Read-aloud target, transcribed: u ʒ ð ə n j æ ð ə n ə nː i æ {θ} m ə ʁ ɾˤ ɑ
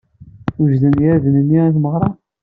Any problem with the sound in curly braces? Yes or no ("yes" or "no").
no